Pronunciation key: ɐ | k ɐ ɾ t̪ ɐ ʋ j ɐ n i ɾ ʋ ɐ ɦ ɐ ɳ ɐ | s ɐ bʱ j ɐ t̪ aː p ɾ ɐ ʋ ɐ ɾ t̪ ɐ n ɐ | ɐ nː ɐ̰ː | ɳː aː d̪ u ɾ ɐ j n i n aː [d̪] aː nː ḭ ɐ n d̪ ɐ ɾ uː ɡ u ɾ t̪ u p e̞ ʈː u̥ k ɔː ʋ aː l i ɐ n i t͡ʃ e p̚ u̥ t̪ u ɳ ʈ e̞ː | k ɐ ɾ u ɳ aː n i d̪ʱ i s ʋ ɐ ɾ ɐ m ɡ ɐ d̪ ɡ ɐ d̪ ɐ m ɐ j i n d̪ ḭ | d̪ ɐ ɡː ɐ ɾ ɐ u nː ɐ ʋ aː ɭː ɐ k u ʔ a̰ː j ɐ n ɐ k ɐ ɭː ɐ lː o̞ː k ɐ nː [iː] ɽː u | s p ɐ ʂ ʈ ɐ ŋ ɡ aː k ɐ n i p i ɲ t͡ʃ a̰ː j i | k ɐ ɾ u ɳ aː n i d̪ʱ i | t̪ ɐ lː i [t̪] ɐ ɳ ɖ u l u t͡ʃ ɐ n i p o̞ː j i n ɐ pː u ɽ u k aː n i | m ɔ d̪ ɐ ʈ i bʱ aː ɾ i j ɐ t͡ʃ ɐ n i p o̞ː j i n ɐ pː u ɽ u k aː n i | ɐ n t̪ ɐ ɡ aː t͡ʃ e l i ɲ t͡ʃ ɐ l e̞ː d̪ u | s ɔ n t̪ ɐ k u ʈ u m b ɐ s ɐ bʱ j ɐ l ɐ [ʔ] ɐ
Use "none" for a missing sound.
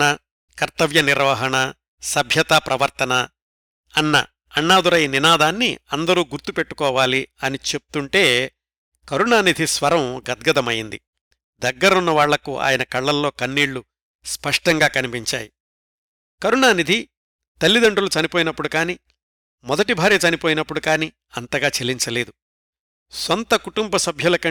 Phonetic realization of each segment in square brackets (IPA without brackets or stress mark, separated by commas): d̪, iː, d̪, k